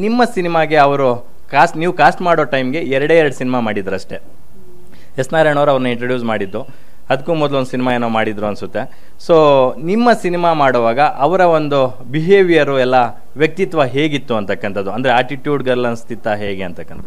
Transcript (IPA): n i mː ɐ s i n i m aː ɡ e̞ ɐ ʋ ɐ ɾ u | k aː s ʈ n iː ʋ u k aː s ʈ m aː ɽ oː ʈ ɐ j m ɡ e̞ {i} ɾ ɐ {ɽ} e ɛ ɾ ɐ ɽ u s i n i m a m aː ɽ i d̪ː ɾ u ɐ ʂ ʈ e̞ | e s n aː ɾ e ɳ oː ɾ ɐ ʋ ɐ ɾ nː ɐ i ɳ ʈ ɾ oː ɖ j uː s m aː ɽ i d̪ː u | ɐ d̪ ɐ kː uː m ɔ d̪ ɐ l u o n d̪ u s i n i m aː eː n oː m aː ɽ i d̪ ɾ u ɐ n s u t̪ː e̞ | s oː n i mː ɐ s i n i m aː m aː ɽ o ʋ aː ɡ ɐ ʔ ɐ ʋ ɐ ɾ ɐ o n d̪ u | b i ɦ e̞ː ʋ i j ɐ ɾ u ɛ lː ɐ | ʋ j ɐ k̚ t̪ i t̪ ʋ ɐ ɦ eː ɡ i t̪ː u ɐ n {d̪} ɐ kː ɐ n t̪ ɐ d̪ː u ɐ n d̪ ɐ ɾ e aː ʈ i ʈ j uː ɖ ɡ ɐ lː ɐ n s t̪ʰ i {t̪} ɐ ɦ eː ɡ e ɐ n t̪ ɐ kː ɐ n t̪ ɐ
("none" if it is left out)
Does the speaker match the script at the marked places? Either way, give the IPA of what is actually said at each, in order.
ɛ, ɽ, t̪, t̪

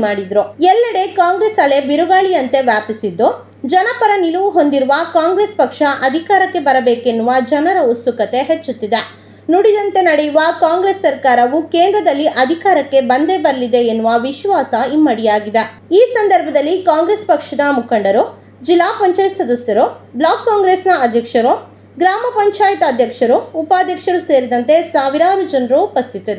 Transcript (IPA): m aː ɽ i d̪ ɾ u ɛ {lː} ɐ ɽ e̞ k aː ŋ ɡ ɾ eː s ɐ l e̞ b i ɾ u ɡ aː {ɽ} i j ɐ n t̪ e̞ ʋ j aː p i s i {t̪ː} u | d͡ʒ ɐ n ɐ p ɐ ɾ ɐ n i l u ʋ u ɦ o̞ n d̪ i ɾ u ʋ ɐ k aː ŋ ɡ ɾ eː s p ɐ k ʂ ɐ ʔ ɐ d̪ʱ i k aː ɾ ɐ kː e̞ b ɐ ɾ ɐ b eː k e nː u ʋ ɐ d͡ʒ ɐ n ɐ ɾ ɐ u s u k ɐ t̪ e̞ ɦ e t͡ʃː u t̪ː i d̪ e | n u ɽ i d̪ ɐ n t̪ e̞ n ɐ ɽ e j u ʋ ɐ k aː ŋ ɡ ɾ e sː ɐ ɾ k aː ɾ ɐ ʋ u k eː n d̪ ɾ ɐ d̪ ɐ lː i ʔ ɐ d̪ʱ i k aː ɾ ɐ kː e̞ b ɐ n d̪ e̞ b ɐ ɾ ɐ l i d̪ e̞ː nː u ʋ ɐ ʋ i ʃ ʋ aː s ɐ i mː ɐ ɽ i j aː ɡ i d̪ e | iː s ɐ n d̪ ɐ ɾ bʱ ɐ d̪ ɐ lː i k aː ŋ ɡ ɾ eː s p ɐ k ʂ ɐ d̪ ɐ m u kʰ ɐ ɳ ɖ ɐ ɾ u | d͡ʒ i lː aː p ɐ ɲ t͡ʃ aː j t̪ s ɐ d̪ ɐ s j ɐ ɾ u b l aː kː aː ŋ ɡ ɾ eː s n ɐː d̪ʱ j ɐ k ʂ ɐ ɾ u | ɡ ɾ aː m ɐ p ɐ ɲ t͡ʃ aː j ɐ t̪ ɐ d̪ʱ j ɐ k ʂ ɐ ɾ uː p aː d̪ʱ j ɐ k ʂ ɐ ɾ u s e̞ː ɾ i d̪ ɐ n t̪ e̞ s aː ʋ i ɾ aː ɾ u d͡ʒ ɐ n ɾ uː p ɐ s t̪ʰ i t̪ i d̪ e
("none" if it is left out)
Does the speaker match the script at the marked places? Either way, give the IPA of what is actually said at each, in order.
lː, ɭ, d̪ː

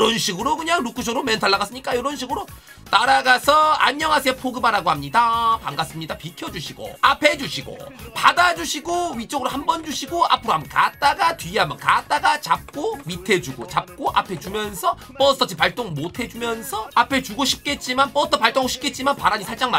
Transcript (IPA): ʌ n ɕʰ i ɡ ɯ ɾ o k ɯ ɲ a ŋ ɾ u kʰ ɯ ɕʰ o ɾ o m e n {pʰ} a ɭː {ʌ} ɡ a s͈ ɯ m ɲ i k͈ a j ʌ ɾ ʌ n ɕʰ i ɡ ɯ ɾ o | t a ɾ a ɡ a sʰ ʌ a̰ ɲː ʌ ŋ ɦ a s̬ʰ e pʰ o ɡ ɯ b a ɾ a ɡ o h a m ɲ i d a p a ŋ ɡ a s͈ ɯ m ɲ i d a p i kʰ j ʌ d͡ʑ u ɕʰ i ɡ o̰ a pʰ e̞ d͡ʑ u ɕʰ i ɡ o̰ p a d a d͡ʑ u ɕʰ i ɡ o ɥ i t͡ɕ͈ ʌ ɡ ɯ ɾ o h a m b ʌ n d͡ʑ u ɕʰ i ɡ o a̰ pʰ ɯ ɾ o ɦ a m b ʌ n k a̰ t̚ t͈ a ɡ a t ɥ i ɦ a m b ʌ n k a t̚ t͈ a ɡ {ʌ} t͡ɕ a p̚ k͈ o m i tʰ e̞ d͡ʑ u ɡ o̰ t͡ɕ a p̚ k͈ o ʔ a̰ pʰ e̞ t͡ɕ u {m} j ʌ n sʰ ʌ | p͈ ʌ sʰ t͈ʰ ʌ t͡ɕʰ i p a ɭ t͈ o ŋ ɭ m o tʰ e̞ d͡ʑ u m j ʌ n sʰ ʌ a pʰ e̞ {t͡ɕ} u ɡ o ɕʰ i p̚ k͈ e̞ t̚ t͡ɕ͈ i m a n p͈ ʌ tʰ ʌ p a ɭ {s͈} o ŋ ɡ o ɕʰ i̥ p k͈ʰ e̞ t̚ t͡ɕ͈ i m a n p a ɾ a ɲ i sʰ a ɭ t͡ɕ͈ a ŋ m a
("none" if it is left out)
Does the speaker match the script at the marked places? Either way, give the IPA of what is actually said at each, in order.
tʰ, a, a, m, t͡ɕ, t͈

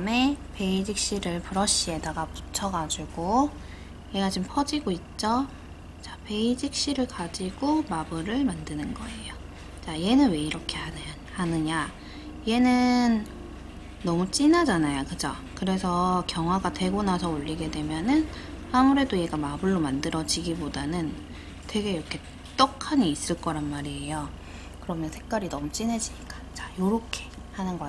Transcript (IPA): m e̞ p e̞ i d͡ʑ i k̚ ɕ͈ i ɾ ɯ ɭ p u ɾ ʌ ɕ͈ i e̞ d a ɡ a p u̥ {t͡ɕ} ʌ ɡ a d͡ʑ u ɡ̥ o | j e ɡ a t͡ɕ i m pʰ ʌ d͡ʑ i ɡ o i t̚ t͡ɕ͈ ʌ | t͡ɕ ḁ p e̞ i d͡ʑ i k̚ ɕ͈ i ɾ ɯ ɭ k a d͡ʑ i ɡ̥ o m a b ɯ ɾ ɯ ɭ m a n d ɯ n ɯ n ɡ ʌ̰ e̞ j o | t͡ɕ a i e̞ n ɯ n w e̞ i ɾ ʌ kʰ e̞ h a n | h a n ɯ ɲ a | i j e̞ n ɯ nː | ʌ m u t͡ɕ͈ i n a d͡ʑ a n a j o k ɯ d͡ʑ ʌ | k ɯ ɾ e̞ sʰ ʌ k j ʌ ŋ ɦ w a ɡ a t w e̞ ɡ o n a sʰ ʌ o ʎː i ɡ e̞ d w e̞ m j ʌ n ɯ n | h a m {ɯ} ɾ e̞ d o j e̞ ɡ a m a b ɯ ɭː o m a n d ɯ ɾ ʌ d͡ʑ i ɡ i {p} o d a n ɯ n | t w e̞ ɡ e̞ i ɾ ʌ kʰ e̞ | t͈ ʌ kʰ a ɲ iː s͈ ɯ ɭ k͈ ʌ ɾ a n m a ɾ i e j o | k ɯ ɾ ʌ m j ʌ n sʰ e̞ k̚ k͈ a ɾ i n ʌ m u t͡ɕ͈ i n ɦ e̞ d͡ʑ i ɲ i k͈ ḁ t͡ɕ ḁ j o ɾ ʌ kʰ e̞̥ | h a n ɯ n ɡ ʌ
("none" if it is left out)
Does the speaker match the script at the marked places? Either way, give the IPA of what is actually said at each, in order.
t͡ɕʰ, u, b

